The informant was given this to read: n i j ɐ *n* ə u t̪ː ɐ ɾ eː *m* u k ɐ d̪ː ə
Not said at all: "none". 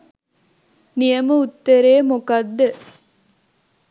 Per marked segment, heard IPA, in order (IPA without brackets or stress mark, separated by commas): m, m